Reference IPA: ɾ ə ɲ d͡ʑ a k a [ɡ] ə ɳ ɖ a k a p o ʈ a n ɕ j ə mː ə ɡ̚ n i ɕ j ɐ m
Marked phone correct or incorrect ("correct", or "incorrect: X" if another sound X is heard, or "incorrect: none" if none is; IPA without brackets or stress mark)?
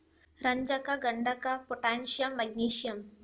correct